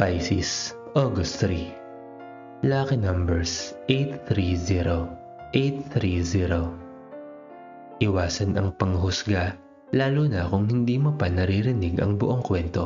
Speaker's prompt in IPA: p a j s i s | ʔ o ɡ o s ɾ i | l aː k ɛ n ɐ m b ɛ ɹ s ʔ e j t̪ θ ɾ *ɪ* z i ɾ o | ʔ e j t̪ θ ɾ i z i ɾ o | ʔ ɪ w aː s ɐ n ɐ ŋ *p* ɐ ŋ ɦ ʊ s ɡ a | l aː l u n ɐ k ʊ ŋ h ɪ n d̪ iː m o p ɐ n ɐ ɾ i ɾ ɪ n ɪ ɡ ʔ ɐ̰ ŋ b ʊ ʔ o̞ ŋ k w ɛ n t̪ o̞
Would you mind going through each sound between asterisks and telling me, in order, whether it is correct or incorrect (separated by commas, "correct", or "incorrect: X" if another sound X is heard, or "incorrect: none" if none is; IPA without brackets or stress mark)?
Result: incorrect: i, correct